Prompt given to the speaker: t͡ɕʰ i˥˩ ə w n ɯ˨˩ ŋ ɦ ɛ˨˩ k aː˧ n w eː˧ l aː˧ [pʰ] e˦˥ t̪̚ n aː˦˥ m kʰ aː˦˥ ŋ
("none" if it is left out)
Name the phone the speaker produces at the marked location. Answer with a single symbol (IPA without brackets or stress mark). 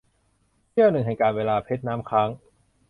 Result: pʰ